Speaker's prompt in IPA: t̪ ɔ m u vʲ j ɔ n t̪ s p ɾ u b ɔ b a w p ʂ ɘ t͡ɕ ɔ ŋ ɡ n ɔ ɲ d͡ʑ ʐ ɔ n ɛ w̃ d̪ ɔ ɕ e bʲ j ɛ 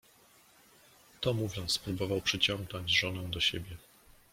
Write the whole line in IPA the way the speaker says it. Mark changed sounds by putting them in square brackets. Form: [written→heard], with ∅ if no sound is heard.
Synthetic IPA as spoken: t̪ ɔ m u vʲ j ɔ n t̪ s p ɾ u b ɔ [b→v] a w p ʂ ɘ t͡ɕ ɔ ŋ ɡ n ɔ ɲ d͡ʑ ʐ ɔ n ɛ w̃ d̪ ɔ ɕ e bʲ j ɛ